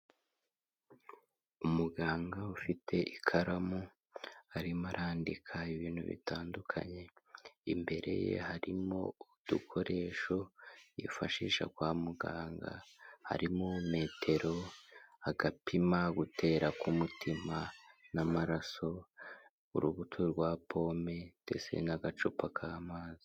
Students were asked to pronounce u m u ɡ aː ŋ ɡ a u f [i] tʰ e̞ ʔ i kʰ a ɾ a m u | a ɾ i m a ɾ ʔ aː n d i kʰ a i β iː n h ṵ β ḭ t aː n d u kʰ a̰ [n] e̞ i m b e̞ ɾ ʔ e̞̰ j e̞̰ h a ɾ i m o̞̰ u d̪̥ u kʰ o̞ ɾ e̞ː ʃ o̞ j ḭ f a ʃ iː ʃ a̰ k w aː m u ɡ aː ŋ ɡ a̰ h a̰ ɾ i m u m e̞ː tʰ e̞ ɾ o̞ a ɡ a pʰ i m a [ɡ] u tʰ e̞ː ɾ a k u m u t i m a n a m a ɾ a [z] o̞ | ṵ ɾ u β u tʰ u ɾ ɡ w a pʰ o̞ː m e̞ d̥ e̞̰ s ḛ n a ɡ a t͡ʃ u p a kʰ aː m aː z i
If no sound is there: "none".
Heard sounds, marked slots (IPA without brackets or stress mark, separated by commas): i, ɲ, ɡ, s